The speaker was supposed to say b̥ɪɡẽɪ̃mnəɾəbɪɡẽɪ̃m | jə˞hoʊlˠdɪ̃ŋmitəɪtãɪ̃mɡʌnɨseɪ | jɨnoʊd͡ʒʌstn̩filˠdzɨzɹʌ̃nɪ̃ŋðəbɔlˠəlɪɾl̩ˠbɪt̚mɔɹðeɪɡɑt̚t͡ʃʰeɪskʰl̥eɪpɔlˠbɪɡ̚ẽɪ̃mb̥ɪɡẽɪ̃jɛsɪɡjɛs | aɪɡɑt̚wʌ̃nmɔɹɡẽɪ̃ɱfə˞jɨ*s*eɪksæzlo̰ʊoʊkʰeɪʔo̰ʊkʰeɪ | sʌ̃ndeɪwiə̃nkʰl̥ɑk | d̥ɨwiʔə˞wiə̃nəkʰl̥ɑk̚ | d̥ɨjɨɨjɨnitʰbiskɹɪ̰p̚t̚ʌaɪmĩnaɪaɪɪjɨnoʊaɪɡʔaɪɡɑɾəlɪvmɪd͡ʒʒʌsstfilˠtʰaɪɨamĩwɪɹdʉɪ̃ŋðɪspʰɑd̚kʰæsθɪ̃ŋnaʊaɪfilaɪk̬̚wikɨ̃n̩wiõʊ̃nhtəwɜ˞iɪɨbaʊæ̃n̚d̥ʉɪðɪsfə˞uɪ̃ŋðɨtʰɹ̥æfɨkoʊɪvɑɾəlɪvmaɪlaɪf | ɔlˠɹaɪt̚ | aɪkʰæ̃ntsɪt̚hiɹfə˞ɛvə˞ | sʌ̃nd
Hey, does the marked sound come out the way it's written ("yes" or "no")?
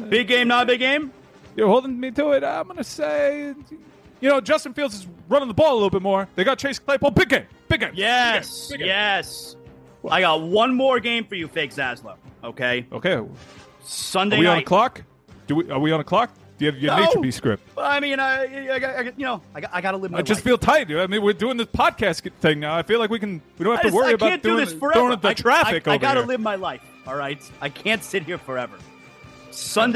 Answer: no